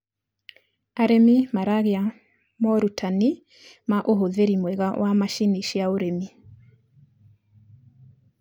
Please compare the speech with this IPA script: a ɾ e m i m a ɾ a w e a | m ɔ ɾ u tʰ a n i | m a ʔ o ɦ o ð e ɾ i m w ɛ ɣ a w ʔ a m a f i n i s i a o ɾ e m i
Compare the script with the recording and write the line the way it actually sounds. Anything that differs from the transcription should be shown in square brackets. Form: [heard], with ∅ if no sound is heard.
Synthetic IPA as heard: a ɾ e m i m a ɾ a [ɣ] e a | m ɔ ɾ u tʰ a n i | m a ʔ o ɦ o ð e ɾ i m w ɛ ɣ a w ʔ a m a [ʃ] i n i [ʃ] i a o ɾ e m i